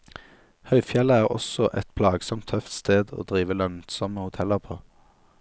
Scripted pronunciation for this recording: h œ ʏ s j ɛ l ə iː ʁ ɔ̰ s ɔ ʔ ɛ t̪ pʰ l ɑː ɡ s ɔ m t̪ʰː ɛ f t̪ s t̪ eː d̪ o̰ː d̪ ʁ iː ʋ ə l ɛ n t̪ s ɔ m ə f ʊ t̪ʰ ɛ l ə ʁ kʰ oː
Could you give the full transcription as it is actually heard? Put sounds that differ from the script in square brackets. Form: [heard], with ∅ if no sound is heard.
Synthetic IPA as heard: h œ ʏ [f] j ɛ l ə [æː] ʁ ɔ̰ s ɔ ʔ ɛ t̪ pʰ l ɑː ɡ s ɔ m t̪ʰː [œ] f t̪ s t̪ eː d̪ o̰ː d̪ ʁ iː ʋ ə l [œ] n t̪ s ɔ m ə [h] ʊ t̪ʰ ɛ l ə ʁ [pʰ] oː